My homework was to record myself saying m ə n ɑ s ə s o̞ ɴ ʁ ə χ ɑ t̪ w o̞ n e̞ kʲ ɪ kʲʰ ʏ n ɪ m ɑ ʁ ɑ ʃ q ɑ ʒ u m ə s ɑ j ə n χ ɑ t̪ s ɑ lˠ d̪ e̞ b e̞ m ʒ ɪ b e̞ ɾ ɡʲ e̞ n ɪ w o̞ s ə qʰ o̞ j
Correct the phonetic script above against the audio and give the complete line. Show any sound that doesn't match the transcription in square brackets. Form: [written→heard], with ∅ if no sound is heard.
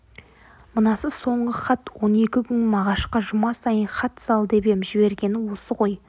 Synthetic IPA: m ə n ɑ s ə s o̞ ɴ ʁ ə χ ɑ t̪ w o̞ n e̞ kʲ ɪ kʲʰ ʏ n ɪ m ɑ ʁ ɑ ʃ q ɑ ʒ [u→ʊ] m [ə→ɑ] s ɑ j ə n χ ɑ t̪ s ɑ lˠ d̪ e̞ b e̞ m ʒ ɪ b e̞ ɾ ɡʲ e̞ n ɪ w o̞ s ə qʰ o̞ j

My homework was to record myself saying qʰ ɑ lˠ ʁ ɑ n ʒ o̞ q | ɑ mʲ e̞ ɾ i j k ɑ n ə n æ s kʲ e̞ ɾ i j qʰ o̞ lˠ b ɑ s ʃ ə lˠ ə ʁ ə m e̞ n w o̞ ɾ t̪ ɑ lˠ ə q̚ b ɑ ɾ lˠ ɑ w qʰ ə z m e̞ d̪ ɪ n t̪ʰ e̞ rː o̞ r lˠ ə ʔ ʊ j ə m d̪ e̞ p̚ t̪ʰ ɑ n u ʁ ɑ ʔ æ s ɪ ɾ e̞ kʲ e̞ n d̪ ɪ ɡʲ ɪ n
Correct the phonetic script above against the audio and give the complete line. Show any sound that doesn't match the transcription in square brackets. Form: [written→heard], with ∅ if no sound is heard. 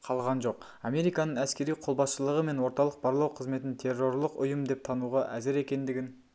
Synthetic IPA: qʰ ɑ lˠ ʁ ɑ n ʒ o̞ q | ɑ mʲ e̞ ɾ i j k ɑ n ə [n→ɴ] æ s kʲ e̞ ɾ i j qʰ o̞ lˠ b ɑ s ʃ ə lˠ ə ʁ ə m e̞ n w o̞ ɾ t̪ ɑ lˠ ə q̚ b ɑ ɾ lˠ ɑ w qʰ ə z m e̞ [d̪→t̪] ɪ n t̪ʰ e̞ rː o̞ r lˠ ə [ʔ→q] ʊ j ə m d̪ e̞ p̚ t̪ʰ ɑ n u ʁ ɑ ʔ æ [s→z] ɪ ɾ e̞ kʲ e̞ n d̪ ɪ ɡʲ ɪ n

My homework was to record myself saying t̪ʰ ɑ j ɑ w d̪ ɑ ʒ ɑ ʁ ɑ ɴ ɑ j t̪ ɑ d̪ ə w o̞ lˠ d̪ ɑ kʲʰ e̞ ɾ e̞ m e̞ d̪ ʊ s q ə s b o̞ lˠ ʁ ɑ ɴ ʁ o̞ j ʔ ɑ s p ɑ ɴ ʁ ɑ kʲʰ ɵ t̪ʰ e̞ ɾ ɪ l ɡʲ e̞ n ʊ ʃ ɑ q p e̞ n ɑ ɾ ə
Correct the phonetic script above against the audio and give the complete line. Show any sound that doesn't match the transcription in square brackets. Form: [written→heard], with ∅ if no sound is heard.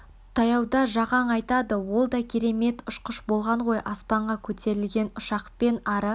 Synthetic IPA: t̪ʰ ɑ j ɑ w d̪ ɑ ʒ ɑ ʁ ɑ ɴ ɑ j t̪ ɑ d̪ ə w o̞ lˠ d̪ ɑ kʲʰ e̞ ɾ e̞ m e̞ [d̪→t̪] ʊ [s→ʃ] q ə [s→ʃ] b o̞ lˠ ʁ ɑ ɴ ʁ o̞ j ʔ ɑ s p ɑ ɴ ʁ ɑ kʲʰ ɵ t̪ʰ e̞ ɾ ɪ l ɡʲ e̞ n ʊ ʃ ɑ q p e̞ n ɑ ɾ ə

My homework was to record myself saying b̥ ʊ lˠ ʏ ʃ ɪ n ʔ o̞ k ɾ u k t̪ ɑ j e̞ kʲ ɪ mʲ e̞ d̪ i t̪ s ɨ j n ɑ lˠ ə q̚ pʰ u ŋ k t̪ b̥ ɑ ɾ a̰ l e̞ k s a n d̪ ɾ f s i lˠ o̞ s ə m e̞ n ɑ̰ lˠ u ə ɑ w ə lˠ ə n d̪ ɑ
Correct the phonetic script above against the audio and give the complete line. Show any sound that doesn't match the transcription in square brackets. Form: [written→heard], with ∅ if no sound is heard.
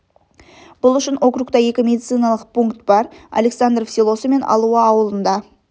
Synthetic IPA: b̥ ʊ lˠ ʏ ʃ ɪ n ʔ o̞ k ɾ u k t̪ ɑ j e̞ kʲ ɪ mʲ e̞ d̪ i t̪ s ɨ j n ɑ lˠ ə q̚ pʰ u ŋ k t̪ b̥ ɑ ɾ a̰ l e̞ k s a n d̪ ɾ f s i lˠ o̞ s ə m e̞ n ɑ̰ lˠ u ə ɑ w ə lˠ ə n d̪ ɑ

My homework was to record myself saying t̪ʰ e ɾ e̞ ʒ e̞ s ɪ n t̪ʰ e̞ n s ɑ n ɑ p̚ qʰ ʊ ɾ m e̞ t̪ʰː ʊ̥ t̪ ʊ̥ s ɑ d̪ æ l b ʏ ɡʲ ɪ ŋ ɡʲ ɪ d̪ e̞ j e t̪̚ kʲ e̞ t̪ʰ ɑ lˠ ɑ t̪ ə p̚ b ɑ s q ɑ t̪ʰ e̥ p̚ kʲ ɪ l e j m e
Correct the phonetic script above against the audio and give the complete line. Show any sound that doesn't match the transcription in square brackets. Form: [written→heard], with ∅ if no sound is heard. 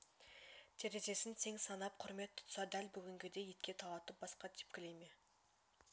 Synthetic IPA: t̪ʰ e ɾ e̞ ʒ e̞ s ɪ n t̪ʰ e̞ [n→ŋ] s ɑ n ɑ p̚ qʰ ʊ ɾ m e̞ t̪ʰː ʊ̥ t̪ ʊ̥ s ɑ d̪ æ l b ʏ ɡʲ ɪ ŋ ɡʲ ɪ d̪ e̞ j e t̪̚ kʲ e̞ t̪ʰ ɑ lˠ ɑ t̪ ə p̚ b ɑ s q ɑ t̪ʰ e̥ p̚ kʲ ɪ l e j m e

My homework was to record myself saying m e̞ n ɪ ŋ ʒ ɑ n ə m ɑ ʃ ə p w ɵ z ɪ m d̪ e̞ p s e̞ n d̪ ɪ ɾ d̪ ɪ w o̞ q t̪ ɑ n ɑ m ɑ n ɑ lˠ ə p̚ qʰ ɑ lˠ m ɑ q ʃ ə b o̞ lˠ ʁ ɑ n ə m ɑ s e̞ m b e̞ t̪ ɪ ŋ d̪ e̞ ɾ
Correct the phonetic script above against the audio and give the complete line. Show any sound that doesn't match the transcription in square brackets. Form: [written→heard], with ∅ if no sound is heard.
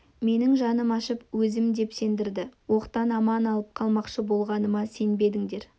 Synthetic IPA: m e̞ n ɪ ŋ ʒ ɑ n ə m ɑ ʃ ə p w ɵ z ɪ m d̪ e̞ p s e̞ n d̪ ɪ ɾ d̪ ɪ w o̞ q t̪ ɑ n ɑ m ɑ n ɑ lˠ ə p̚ qʰ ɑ lˠ m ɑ q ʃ ə b o̞ lˠ ʁ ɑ n ə m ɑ s e̞ [m→n] b e̞ [t̪→d̪] ɪ ŋ d̪ e̞ ɾ

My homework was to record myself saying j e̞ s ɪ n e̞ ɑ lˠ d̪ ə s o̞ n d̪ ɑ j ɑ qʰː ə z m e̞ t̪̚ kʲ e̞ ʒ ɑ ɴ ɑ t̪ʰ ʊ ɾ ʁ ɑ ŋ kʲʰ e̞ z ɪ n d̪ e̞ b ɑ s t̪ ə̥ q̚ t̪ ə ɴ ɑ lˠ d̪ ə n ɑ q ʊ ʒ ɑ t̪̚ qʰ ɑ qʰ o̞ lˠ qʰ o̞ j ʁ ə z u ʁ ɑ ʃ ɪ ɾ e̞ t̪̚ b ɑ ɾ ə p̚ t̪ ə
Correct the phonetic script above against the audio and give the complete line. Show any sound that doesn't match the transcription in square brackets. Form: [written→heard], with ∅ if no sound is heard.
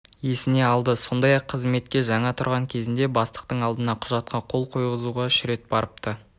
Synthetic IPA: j e̞ s ɪ n e̞ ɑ lˠ d̪ ə s o̞ n d̪ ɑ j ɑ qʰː ə z m e̞ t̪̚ kʲ e̞ ʒ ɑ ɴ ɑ t̪ʰ ʊ ɾ ʁ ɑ ŋ kʲʰ e̞ z ɪ n d̪ e̞ b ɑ s t̪ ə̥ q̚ t̪ ə ɴ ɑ lˠ d̪ ə n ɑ [q→qʰ] ʊ ʒ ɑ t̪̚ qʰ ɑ qʰ o̞ lˠ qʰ o̞ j ʁ ə z u ʁ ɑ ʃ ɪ ɾ e̞ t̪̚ b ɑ ɾ ə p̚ t̪ ə

